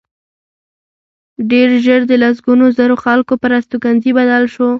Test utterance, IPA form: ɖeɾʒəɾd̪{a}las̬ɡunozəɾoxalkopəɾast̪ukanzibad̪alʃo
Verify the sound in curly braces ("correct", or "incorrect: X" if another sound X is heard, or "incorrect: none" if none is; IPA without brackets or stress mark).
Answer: incorrect: ə